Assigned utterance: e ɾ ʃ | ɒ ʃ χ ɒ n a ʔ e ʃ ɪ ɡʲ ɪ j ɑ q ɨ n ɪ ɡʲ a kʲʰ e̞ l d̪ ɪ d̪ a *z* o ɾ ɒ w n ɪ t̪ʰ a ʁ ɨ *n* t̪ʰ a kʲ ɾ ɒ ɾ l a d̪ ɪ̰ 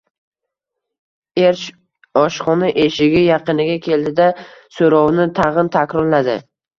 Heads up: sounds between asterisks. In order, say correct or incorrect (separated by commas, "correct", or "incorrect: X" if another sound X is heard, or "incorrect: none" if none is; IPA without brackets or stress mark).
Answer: incorrect: s, correct